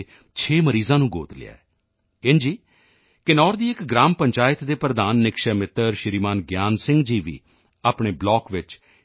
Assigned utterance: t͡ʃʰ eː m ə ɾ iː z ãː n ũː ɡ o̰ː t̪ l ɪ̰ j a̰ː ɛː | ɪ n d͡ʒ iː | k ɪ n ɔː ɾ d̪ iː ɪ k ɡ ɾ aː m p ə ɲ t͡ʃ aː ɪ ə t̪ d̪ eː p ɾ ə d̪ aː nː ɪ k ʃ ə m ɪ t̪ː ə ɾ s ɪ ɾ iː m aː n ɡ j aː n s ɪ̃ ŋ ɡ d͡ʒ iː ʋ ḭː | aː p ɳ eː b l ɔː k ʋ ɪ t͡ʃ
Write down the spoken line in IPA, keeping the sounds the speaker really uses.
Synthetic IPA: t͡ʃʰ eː m ə ɾ iː z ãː n ũː ɡ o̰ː t̪ l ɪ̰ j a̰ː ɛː | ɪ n d͡ʒ iː | k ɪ n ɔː ɾ d̪ iː ɪ k ɡ ɾ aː m p ə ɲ t͡ʃ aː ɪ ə t̪ d̪ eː p ɾ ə d̪ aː nː ɪ k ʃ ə m ɪ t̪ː ə ɾ ʃ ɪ ɾ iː m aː n ɡ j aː n s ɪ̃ ŋ ɡ d͡ʒ iː ʋ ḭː | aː p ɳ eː b l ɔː k ʋ ɪ t͡ʃ